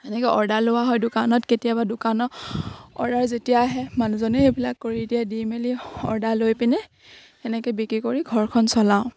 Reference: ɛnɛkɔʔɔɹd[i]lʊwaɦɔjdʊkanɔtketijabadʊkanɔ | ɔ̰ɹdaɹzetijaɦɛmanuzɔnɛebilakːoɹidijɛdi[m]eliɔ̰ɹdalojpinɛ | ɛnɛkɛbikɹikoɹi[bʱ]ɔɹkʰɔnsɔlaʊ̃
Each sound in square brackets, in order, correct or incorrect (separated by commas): incorrect, correct, incorrect